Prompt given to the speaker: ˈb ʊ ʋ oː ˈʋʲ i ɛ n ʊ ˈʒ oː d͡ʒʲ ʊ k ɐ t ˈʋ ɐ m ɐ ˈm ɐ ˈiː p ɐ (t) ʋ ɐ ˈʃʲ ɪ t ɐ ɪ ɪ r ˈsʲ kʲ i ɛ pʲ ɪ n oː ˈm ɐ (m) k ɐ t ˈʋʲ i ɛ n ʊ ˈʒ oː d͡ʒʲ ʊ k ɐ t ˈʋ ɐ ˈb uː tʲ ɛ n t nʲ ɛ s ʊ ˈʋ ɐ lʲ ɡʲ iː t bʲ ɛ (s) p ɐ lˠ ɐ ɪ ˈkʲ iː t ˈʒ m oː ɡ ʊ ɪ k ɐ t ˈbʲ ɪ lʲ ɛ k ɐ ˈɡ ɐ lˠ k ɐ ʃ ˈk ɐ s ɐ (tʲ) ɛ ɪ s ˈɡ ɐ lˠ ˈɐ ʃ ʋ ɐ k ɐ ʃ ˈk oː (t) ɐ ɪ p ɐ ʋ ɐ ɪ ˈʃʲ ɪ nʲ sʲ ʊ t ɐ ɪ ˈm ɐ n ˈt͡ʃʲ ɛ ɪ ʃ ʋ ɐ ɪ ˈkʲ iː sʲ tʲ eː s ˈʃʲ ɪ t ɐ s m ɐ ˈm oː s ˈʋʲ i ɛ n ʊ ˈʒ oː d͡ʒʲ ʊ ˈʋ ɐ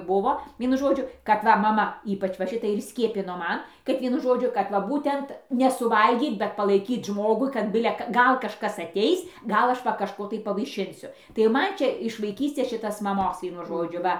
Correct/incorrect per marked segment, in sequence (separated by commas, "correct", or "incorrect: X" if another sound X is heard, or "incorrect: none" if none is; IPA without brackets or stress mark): incorrect: t͡ʃ, incorrect: n, incorrect: t, correct, correct